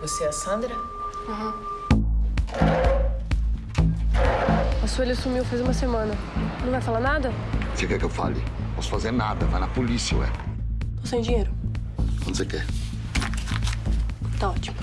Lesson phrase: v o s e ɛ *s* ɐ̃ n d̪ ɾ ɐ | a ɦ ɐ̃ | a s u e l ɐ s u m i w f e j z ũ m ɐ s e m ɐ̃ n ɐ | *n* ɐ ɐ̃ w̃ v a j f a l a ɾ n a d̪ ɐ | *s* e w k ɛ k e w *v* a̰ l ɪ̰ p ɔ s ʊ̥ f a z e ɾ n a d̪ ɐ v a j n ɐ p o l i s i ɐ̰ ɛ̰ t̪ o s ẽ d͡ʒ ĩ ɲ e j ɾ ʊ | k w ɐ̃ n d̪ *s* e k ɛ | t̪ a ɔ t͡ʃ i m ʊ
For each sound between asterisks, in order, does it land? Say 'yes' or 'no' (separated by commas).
yes, yes, yes, no, yes